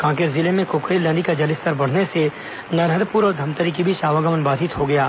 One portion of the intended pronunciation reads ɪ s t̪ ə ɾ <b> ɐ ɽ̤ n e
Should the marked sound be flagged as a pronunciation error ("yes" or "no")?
no